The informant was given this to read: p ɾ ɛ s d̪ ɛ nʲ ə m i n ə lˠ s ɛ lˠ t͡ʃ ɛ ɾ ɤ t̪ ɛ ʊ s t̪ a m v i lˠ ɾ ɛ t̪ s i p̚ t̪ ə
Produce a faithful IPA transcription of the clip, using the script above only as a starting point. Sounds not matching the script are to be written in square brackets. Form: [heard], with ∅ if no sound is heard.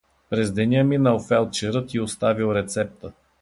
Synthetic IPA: p ɾ ɛ [z] d̪ ɛ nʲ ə m i n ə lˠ [f] ɛ lˠ t͡ʃ ɛ ɾ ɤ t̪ [i] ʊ s t̪ a [∅] v i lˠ ɾ ɛ t̪ s [ɛ] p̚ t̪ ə